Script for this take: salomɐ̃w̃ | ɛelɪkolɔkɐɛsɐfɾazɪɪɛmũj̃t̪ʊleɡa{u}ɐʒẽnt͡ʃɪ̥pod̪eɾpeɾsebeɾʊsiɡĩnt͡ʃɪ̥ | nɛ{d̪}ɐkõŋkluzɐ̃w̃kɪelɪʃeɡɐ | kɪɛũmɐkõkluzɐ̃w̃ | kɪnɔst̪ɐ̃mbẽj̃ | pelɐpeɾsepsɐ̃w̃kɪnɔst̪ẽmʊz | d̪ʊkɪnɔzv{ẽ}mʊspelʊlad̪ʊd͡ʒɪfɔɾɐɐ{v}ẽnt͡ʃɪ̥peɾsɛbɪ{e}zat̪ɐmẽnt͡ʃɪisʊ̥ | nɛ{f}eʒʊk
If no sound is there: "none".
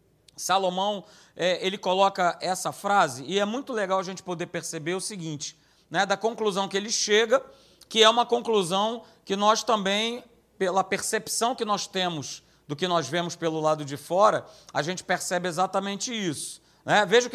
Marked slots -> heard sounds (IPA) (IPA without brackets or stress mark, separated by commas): w, d̪, ẽ, ʒ, e, v